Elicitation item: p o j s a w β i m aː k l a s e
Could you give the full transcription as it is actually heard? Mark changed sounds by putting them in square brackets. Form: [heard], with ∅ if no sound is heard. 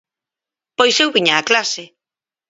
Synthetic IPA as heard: p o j s [e] w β i [ɲ] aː k l a s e